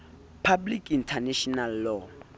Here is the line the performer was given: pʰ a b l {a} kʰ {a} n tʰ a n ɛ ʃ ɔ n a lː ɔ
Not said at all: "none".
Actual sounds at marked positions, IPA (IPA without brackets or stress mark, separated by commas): i, i